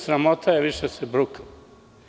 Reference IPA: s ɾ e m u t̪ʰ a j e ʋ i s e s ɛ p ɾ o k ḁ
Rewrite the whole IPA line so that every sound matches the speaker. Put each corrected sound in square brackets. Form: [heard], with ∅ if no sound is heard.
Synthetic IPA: s ɾ [a] m [o] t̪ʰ a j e ʋ i [ʃ] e s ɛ [b] ɾ [u] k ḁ